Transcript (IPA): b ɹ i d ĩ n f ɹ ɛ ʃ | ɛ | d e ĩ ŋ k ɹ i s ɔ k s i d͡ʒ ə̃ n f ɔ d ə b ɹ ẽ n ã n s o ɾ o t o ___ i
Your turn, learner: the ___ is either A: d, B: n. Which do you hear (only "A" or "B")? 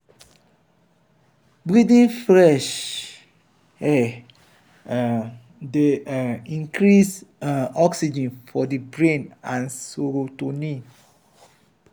B